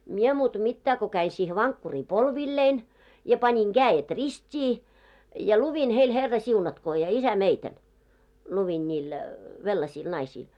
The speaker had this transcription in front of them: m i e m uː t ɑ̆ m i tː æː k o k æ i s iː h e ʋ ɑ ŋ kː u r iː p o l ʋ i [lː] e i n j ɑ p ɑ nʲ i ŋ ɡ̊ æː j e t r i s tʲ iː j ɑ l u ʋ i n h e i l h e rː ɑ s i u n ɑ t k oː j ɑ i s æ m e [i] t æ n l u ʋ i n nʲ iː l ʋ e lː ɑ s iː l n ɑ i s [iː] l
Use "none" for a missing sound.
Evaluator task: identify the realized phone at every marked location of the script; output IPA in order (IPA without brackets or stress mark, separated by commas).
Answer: lː, i, iː